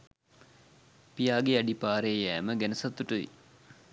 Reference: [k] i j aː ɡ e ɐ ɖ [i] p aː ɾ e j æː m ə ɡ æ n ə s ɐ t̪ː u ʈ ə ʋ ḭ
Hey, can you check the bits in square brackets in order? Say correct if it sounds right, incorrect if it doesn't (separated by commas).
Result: incorrect, correct